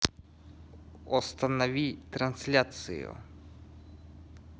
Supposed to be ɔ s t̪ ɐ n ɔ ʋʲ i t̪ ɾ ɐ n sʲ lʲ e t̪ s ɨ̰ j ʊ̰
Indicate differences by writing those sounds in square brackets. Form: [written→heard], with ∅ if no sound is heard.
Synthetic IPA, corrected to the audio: ɔ s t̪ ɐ n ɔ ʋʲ i t̪ ɾ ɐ n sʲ lʲ [e→a] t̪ s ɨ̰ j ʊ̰